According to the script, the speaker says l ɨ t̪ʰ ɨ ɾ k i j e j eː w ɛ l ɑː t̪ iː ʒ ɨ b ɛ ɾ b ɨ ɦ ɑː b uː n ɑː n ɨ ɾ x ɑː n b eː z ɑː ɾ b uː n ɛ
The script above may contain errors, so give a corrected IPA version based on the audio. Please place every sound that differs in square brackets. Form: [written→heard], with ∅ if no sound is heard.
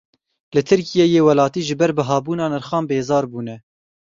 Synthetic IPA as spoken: l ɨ t̪ʰ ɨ ɾ k i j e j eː w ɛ l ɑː t̪ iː ʒ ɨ b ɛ ɾ b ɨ ɦ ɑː b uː n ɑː n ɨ ɾ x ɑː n b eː z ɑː ɾ b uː n ɛ